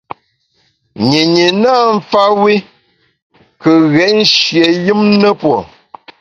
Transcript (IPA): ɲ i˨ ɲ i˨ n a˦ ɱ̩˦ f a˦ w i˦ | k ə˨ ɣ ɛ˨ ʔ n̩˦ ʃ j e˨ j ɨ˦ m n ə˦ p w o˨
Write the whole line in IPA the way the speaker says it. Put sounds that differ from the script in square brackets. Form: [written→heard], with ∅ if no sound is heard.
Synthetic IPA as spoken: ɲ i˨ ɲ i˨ n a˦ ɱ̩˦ f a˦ w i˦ | k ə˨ ɣ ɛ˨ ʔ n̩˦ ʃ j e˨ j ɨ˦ m n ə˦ p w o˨